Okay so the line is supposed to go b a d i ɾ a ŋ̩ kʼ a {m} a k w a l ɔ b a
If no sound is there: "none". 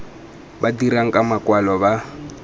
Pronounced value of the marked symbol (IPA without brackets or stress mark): m